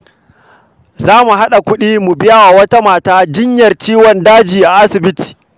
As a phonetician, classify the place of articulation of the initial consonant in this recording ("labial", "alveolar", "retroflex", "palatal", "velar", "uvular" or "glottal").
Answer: alveolar